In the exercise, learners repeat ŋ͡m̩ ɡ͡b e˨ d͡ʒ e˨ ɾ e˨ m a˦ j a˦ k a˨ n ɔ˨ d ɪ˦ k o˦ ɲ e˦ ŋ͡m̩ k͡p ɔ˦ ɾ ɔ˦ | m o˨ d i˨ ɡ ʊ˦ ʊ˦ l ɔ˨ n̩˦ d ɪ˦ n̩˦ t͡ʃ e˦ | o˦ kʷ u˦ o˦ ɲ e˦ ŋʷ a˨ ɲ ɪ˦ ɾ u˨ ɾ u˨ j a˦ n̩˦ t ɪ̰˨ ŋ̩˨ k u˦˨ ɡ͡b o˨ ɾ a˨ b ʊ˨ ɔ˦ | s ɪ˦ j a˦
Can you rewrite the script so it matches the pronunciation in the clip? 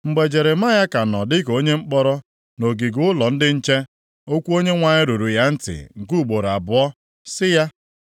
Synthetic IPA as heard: ŋ͡m̩ ɡ͡b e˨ d͡ʒ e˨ ɾ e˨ m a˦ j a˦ k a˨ n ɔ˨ d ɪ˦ k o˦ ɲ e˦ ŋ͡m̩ k͡p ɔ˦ ɾ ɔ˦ | n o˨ ɡ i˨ ɡ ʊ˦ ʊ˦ l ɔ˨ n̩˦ d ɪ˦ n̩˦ t͡ʃ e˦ | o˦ kʷ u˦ o˦ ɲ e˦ ŋʷ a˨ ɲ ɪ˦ ɾ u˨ ɾ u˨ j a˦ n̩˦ t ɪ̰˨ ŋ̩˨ k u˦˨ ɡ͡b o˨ ɾ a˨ b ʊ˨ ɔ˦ | s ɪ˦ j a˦